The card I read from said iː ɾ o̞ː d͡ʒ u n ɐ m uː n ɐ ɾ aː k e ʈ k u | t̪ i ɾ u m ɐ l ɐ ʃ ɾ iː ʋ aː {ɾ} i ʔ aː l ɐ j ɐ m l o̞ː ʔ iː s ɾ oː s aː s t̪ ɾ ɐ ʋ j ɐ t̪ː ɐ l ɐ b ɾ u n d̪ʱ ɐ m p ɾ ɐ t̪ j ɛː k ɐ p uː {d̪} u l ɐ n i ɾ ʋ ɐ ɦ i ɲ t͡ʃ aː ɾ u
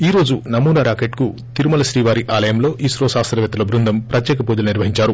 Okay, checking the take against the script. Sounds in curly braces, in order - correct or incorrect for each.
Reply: correct, correct

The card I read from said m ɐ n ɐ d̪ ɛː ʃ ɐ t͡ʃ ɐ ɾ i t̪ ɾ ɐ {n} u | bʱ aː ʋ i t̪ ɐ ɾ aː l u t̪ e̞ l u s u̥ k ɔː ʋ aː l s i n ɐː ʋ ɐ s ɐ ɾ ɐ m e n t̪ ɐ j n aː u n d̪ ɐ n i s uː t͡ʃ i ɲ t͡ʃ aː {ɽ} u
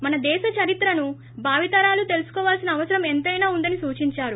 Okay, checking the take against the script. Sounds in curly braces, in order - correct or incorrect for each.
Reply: correct, incorrect: ɾ

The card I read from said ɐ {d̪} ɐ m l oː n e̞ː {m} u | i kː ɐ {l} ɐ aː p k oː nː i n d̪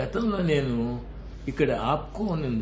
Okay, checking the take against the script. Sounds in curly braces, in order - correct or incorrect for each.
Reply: incorrect: t̪, incorrect: n, incorrect: ɽ

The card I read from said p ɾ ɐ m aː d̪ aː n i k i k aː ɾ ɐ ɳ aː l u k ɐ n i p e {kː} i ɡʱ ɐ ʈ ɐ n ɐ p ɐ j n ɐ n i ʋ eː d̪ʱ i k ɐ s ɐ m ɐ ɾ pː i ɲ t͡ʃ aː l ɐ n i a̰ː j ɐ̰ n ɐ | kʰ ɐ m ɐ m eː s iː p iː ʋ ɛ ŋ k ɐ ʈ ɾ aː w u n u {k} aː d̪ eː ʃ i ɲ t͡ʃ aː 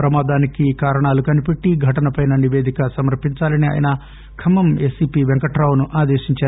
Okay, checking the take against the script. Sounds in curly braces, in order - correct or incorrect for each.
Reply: incorrect: ʈː, incorrect: ʔ

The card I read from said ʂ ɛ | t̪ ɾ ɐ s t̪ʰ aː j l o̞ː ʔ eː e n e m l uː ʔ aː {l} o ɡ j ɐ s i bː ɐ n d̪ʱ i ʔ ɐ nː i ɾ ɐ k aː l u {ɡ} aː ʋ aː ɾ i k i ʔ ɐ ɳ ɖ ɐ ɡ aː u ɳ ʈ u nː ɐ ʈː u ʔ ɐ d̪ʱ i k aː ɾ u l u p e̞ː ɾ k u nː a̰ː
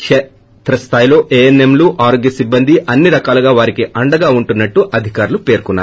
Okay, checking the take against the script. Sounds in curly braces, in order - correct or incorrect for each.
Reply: incorrect: ɾ, correct

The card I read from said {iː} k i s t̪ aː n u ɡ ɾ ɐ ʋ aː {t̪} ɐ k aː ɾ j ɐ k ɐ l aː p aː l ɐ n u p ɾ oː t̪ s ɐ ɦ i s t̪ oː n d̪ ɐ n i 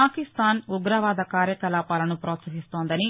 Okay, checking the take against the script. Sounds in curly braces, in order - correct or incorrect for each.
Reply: incorrect: aː, incorrect: d̪

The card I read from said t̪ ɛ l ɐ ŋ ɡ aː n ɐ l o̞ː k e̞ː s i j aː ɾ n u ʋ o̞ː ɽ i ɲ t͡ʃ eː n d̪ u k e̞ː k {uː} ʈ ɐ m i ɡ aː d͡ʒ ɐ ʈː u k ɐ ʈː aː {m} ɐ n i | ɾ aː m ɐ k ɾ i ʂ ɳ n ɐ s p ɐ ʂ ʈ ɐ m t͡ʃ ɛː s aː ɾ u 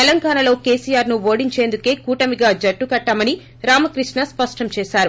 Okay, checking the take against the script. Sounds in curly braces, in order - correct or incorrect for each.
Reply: correct, correct

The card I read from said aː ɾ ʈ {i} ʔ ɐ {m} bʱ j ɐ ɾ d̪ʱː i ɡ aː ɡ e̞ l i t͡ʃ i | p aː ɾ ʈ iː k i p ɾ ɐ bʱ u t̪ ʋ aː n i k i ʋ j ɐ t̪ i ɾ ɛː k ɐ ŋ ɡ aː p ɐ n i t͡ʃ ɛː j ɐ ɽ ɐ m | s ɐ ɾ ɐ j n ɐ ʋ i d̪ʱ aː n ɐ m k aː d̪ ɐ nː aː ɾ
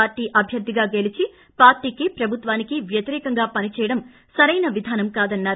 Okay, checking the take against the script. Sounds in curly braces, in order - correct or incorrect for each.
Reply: incorrect: iː, incorrect: none

